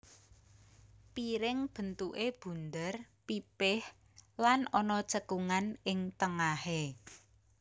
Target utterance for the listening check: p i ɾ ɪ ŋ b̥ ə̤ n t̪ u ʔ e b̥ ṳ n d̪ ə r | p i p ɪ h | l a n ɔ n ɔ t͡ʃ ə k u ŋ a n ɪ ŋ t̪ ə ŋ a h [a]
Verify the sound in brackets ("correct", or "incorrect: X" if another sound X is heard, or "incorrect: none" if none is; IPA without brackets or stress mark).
incorrect: e